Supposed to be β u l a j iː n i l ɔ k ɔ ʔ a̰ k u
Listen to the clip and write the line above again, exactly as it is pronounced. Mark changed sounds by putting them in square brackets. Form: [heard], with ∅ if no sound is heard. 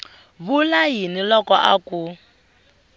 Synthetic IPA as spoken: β u l a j [i] n i l ɔ k ɔ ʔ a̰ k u

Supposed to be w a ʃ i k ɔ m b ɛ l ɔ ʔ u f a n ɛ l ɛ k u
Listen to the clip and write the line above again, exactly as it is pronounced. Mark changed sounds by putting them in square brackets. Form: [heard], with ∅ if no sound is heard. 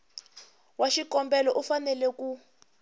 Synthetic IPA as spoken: w a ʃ i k ɔ m b ɛ l ɔ ʔ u f a n ɛ l ɛ k u

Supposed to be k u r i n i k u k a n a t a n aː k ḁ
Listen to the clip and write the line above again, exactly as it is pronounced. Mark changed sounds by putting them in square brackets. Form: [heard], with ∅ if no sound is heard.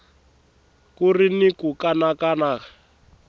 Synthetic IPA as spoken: k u r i n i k u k a n a [k] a n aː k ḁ

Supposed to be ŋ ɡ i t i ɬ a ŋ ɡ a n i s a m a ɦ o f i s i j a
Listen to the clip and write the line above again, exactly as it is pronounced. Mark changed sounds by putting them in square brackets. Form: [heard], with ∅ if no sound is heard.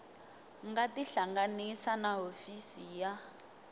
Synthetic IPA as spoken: ŋ ɡ [a] t i ɬ a ŋ ɡ a n i s a [n] a ɦ o f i s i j a

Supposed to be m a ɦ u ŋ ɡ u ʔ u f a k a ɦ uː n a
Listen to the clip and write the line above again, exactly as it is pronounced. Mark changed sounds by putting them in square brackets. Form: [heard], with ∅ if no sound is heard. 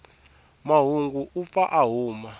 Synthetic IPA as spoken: m a ɦ u ŋ ɡ u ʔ u f a [ʔ] a ɦ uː [m] a

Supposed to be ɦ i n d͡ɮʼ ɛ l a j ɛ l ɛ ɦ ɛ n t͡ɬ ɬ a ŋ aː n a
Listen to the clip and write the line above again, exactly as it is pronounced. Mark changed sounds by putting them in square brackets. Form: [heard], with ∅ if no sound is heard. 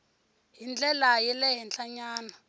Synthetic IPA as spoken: ɦ i n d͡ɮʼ ɛ l a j ɛ l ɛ ɦ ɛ n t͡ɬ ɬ a [ɲ] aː n a

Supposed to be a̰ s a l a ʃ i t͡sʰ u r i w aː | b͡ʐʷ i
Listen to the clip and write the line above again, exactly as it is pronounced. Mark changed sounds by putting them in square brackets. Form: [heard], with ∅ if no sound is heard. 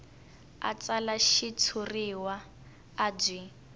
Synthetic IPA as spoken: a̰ [t͡s] a l a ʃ i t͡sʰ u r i w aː | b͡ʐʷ i

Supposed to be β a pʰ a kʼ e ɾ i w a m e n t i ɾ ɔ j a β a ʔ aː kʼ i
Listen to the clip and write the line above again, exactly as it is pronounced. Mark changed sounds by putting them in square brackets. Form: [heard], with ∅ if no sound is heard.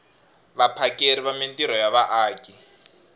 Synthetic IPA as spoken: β a pʰ a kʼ e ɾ i [β] a m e n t i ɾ ɔ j a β a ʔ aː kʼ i

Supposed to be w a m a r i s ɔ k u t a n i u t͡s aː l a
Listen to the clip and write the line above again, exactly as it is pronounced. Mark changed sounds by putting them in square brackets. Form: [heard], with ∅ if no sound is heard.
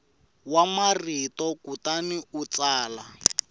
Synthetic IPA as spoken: w a m a r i [t] ɔ k u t a n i u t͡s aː l a

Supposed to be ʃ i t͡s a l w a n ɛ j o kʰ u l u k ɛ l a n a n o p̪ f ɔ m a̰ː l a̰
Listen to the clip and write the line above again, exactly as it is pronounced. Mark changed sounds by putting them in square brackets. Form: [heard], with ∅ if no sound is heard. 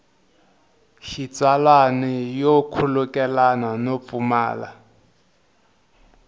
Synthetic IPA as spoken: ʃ i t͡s a l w a n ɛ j o kʰ u l u k ɛ l a n a n o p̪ f [u] m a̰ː l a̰

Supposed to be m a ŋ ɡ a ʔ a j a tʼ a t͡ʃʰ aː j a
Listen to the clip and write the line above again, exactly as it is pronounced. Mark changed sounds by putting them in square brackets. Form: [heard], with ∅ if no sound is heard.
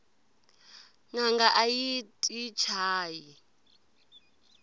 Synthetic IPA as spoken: [ŋ] a ŋ ɡ a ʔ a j [i] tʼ [i] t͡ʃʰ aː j [i]

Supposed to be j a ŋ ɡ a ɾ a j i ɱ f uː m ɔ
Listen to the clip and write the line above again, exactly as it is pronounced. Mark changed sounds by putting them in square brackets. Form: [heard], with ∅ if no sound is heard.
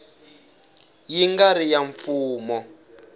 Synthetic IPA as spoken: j [i] ŋ ɡ a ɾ [i] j [a] ɱ f uː m ɔ

